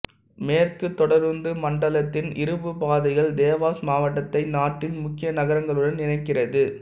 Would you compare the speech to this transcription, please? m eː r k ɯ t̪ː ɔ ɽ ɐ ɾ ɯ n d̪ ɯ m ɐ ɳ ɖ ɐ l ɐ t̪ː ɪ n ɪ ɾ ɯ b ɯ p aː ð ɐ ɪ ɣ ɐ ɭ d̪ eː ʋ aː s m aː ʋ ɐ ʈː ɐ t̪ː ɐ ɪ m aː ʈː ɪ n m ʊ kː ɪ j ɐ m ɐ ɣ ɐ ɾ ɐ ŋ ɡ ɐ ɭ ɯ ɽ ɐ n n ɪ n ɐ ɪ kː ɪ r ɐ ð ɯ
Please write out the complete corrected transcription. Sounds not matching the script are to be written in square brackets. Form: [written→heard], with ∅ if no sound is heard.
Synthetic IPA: m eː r k ɯ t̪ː ɔ ɽ ɐ ɾ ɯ n d̪ ɯ m ɐ ɳ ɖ ɐ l ɐ t̪ː ɪ n ɪ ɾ ɯ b ɯ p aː ð ɐ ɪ ɣ ɐ ɭ d̪ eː ʋ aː s m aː ʋ ɐ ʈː ɐ t̪ː ɐ ɪ [m→n] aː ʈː ɪ n m ʊ kː ɪ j ɐ [m→n] ɐ ɣ ɐ ɾ ɐ ŋ ɡ ɐ ɭ ɯ ɽ ɐ n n ɪ n ɐ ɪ kː ɪ r ɐ ð ɯ